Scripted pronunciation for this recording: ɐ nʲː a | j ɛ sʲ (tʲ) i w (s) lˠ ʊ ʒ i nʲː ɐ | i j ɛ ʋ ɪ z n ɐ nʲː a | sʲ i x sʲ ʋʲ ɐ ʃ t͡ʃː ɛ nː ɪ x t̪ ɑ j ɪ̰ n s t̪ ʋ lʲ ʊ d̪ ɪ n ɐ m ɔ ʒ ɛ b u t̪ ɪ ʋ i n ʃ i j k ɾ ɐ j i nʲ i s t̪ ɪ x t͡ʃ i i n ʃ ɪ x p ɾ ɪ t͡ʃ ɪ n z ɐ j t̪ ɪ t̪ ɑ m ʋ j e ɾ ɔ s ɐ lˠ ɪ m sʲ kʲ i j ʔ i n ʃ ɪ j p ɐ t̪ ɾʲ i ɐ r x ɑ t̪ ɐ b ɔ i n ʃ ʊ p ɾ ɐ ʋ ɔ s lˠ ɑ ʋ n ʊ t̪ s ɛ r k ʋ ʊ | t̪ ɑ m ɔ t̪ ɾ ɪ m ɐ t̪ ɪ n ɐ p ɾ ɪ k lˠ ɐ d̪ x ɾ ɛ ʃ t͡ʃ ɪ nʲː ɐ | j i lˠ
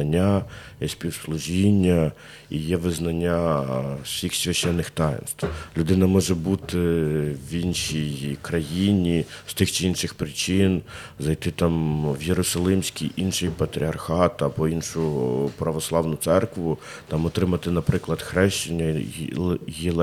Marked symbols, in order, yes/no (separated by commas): no, yes